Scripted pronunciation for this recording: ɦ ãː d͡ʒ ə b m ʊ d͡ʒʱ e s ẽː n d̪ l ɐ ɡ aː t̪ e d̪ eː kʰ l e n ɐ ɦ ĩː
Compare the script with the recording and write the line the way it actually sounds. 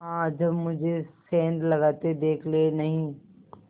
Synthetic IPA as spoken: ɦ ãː d͡ʒ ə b m ʊ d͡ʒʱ e s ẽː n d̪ l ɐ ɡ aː t̪ e d̪ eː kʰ l e n ɐ ɦ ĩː